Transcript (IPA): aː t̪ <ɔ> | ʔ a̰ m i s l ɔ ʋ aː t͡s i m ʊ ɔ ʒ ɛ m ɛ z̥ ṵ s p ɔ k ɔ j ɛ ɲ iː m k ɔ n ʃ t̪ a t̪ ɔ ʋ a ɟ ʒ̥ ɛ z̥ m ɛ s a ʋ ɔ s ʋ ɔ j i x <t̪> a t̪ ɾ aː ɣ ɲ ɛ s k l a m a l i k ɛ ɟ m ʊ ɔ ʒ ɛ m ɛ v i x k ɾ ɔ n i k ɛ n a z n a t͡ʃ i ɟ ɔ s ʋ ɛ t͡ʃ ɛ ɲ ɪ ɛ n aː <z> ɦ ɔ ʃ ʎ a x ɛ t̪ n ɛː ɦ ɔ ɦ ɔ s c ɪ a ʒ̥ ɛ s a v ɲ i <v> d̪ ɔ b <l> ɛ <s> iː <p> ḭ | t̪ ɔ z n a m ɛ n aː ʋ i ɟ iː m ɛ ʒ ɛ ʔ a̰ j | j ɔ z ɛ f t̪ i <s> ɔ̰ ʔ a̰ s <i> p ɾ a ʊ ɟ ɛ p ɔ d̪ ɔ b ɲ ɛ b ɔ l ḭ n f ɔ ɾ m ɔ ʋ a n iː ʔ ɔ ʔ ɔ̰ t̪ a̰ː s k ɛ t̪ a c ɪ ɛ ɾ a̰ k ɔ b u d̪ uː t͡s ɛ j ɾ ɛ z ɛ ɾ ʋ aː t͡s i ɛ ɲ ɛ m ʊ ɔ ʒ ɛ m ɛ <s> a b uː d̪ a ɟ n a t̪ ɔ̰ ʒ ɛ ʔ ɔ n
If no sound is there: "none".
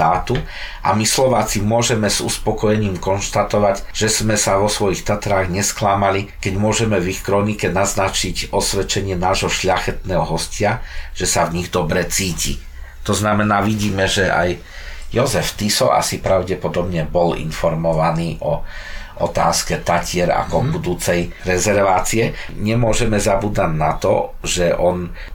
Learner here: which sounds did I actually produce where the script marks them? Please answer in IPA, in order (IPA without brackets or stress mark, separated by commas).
u, t̪, ʒ, ɣ, ɾ, t͡s, c, s, i, z